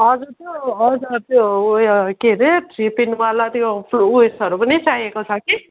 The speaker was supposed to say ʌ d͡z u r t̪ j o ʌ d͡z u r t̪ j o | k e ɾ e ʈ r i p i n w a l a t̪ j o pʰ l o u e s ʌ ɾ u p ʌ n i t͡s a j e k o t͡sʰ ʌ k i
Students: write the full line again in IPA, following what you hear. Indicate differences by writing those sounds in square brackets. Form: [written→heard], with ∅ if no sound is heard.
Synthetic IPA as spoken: ʌ d͡z u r t̪ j o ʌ d͡z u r t̪ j o | k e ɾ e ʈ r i p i n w a l a t̪ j o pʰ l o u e s ʌ ɾ u p ʌ n i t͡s a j e k o t͡sʰ ʌ k i